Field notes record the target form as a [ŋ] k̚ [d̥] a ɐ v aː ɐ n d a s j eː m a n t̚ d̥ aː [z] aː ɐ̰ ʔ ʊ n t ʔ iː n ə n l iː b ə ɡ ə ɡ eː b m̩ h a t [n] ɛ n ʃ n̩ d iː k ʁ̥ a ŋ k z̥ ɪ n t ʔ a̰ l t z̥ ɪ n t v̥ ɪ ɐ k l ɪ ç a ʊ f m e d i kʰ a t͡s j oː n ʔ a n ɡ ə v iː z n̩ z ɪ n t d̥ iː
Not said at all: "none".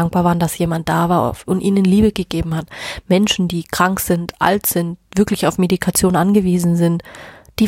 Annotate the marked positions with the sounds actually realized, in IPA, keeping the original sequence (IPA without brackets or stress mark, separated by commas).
ŋ, b̥, v, m